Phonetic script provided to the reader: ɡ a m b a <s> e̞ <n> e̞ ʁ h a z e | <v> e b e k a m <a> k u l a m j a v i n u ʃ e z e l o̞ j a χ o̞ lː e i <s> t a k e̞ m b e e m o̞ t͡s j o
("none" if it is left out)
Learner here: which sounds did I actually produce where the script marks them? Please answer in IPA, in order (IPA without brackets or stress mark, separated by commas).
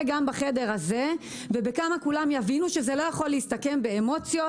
χ, d, v, a, s